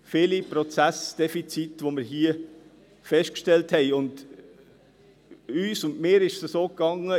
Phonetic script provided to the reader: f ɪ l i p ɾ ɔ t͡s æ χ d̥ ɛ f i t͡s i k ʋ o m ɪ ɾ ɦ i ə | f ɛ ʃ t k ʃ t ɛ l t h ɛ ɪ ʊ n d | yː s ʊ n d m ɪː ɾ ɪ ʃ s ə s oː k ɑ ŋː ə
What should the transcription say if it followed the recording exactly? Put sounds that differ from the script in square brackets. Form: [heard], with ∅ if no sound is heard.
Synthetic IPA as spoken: f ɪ l i p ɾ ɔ t͡s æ [s] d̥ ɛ f i t͡s i [t] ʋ o m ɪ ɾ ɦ i ə | f ɛ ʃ t k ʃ t ɛ l t h ɛ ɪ ʊ n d | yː s ʊ n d m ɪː ɾ ɪ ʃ s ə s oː k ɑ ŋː ə